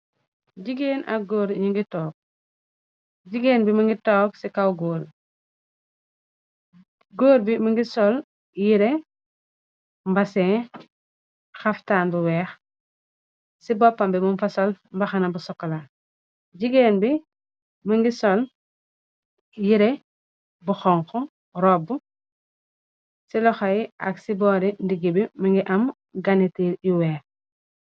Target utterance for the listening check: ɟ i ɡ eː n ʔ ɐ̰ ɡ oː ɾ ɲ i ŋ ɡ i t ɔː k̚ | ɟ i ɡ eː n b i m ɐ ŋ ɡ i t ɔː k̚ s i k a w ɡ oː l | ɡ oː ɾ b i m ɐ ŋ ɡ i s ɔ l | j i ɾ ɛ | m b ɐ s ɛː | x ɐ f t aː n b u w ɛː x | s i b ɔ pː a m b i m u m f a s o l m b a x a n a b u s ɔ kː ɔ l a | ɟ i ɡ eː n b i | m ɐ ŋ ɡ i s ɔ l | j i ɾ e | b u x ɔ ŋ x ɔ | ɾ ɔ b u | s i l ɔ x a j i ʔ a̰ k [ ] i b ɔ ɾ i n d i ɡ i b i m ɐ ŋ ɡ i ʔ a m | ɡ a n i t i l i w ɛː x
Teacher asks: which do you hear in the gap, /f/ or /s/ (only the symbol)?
s